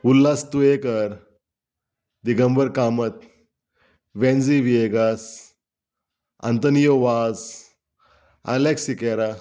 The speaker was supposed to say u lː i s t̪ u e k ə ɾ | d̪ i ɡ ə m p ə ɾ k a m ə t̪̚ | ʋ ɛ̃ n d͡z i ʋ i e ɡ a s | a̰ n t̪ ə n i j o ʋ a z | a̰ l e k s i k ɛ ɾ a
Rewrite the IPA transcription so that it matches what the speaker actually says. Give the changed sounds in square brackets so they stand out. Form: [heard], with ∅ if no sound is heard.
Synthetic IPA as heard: u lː [a] s t̪ u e k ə ɾ | d̪ i ɡ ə m [b] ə ɾ k a m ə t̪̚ | ʋ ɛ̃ n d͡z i ʋ i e ɡ a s | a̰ n t̪ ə n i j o ʋ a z | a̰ l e k s i k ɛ ɾ a